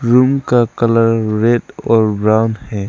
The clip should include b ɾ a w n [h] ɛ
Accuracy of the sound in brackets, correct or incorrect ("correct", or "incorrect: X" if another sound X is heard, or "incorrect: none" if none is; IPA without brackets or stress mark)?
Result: correct